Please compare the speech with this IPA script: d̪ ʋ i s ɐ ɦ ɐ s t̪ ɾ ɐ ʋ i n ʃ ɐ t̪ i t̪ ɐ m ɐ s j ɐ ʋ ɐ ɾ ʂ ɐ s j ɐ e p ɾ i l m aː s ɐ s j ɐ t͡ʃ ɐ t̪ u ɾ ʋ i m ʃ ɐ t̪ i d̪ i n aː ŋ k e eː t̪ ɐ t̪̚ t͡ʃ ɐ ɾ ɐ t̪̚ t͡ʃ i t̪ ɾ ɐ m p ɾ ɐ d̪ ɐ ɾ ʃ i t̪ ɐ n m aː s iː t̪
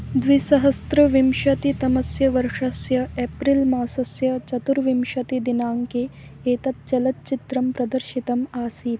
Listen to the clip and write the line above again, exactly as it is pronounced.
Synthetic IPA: d̪ ʋ i s ɐ ɦ ɐ s t̪ ɾ ɐ ʋ i m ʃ ɐ t̪ i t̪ ɐ m ɐ s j ɐ ʋ ɐ ɾ ʂ ɐ s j ɐ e p ɾ i l m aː s ɐ s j ɐ t͡ʃ ɐ t̪ u ɾ ʋ i m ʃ ɐ t̪ i d̪ i n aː ŋ k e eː t̪ ɐ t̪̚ t͡ʃ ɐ l ɐ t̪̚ t͡ʃ i t̪ ɾ ɐ m p ɾ ɐ d̪ ɐ ɾ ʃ i t̪ ɐ m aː s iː t̪

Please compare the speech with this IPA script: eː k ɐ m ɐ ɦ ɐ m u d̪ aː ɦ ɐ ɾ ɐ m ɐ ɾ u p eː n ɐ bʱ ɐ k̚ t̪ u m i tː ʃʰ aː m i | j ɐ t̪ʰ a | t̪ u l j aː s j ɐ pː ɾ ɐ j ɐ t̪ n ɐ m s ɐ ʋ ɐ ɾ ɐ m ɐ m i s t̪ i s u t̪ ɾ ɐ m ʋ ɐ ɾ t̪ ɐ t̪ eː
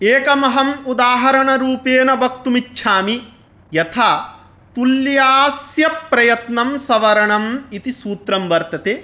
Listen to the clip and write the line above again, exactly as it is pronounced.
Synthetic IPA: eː k ɐ m ɐ ɦ ɐ m u d̪ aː ɦ ɐ ɾ ɐ ɳ ɐ ɾ uː p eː n ɐ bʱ ɐ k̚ t̪ u m i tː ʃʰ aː m i | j ɐ t̪ʰ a | t̪ u l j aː s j ɐ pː ɾ ɐ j ɐ t̪ n ɐ m s ɐ ʋ ɐ ɾ ɐ ɳ ɐ m i t̪ i s uː t̪ ɾ ɐ m ʋ ɐ ɾ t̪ ɐ t̪ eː

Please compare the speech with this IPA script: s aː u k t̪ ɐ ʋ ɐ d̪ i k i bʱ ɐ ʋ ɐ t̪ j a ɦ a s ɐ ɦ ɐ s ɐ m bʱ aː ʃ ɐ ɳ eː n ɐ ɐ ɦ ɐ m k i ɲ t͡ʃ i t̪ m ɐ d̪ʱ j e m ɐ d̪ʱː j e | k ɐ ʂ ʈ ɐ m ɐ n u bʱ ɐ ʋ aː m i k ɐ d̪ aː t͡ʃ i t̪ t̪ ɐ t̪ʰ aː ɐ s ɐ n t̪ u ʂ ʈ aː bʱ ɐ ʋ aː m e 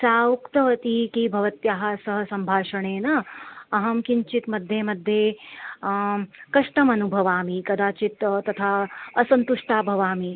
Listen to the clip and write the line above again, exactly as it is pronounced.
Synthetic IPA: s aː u k t̪ ɐ ʋ ɐ t̪ i k i bʱ ɐ ʋ ɐ t̪ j a ɦ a s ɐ ɦ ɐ s ɐ m bʱ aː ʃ ɐ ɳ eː n ɐ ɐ ɦ ɐ m k i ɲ t͡ʃ i t̪ m ɐ d̪ʱ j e m ɐ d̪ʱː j e | k ɐ ʂ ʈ ɐ m ɐ n u bʱ ɐ ʋ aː m i k ɐ d̪ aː t͡ʃ i t̪ t̪ ɐ t̪ʰ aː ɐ s ɐ n t̪ u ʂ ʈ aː bʱ ɐ ʋ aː m i

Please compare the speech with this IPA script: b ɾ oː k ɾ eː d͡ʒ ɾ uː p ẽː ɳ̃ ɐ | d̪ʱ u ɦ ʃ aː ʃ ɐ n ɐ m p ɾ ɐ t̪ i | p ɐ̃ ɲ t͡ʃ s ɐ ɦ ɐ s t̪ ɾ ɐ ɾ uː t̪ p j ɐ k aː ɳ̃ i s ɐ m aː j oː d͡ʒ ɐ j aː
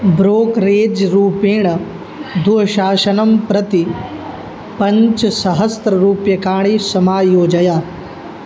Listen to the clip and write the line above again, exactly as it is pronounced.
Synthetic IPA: b ɾ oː k ɾ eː d͡ʒ ɾ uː p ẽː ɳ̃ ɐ | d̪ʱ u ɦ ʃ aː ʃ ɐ n ɐ m p ɾ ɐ t̪ i | p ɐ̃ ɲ t͡ʃ s ɐ ɦ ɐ s t̪ ɾ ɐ ɾ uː p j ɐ k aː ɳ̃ i s ɐ m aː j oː d͡ʒ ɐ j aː

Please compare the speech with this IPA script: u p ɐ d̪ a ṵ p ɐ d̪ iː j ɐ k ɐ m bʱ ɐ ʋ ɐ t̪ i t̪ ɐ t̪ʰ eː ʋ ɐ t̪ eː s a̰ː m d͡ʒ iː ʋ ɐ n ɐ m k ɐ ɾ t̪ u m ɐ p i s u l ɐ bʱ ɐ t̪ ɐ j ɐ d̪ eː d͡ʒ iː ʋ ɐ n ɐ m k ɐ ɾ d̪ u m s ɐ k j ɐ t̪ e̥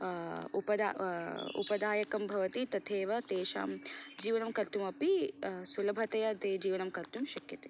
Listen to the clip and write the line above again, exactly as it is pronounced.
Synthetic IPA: u p ɐ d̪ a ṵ p ɐ d̪ aː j ɐ k ɐ m bʱ ɐ ʋ ɐ t̪ i t̪ ɐ t̪ʰ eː ʋ ɐ t̪ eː ʃ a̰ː m d͡ʒ iː ʋ ɐ n ɐ m k ɐ ɾ t̪ u m ɐ p i s u l ɐ bʱ ɐ t̪ ɐ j ɐ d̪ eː d͡ʒ iː ʋ ɐ n ɐ m k ɐ ɾ t̪ u m ʃ ɐ k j ɐ t̪ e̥

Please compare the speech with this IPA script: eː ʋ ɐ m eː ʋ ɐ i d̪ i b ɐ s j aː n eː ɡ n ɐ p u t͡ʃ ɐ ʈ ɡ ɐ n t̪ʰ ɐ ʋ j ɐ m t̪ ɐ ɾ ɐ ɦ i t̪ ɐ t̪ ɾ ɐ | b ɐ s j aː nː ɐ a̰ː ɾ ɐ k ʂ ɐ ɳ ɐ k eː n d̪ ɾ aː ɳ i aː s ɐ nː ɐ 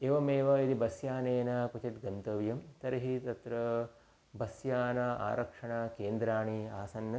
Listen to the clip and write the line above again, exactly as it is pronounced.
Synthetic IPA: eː ʋ ɐ m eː ʋ ɐ i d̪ i b ɐ s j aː n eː n ɐ p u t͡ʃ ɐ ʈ ɡ ɐ n t̪ ɐ ʋ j ɐ m t̪ ɐ ɾ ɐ ɦ i t̪ ɐ t̪ ɾ ɐ | b ɐ s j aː n ɐ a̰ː ɾ ɐ k ʂ ɐ ɳ ɐ k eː n d̪ ɾ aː ɳ i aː s ɐ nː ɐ

